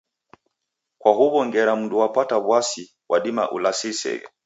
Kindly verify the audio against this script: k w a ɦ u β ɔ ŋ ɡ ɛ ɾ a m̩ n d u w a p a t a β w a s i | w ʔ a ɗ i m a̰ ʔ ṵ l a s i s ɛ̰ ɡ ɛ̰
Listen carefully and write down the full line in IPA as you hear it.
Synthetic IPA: k w a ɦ u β ɔ ŋ ɡ ɛ ɾ a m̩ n d u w a p a t a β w a s i | w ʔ a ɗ i m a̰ ʔ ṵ l a s i s ɛ̰ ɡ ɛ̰